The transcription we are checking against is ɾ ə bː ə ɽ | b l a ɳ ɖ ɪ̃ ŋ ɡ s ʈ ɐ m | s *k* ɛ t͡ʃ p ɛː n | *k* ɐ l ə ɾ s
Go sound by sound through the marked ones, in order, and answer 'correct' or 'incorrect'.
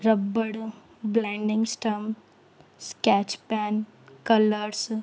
correct, correct

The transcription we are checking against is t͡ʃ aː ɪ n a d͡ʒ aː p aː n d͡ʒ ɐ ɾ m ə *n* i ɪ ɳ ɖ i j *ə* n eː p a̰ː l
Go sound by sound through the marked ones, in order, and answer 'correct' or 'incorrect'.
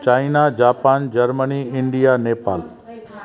correct, incorrect

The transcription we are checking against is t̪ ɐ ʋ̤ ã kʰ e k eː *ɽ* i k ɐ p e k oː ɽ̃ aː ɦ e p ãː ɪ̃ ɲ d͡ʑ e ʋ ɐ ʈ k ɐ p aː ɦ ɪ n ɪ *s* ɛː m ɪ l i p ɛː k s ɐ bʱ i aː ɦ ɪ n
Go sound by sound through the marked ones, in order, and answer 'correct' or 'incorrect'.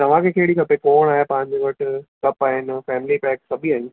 correct, incorrect

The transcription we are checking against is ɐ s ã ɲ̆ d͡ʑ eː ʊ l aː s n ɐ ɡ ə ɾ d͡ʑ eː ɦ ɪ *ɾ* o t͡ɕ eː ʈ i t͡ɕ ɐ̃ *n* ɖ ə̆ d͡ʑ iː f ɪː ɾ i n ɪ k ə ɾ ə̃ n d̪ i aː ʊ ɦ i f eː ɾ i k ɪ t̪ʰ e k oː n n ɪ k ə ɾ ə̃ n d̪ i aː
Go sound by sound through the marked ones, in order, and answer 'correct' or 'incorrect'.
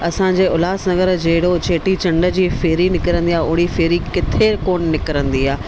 incorrect, incorrect

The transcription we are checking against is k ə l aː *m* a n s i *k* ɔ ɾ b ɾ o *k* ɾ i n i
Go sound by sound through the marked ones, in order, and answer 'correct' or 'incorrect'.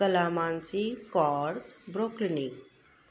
correct, correct, correct

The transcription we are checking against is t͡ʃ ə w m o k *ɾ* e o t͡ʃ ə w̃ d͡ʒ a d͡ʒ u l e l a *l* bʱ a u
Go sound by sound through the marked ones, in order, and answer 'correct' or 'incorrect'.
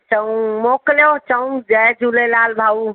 incorrect, correct

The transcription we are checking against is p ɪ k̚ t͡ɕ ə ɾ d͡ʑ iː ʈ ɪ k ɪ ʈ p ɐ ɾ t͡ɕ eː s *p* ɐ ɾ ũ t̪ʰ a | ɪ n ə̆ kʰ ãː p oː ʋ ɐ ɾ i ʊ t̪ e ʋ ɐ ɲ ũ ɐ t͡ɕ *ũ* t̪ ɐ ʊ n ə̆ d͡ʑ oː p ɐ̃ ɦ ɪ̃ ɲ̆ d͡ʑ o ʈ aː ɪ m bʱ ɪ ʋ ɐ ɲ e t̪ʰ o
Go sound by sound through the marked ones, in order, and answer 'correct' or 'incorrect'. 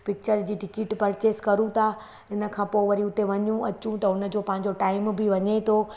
incorrect, correct

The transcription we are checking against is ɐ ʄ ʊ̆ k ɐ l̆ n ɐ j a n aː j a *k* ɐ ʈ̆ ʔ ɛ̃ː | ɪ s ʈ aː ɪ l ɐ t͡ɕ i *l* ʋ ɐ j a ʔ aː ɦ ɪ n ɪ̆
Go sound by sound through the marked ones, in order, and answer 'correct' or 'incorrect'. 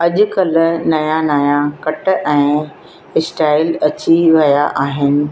correct, incorrect

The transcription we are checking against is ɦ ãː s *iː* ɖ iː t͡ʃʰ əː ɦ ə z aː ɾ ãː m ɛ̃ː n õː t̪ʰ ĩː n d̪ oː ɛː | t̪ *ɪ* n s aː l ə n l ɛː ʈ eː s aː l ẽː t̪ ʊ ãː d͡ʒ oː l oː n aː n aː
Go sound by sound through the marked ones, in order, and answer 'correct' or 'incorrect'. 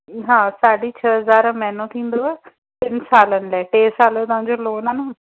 incorrect, correct

